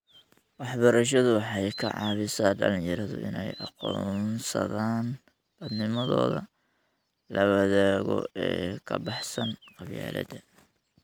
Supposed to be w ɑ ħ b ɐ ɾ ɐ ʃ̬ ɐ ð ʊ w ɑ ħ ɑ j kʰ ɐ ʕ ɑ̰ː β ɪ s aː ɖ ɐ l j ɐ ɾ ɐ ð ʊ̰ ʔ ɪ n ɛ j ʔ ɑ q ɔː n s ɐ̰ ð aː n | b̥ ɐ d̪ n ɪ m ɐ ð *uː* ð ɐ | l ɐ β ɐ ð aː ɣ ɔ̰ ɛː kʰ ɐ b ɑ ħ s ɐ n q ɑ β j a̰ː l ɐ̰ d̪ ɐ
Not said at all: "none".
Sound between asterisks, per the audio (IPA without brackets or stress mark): ɔː